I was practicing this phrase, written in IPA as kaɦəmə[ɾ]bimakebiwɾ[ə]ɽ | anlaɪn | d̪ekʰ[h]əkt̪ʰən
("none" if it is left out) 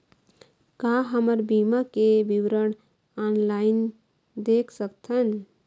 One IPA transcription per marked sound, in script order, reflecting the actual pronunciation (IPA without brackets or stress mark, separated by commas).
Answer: ɾ, ə, s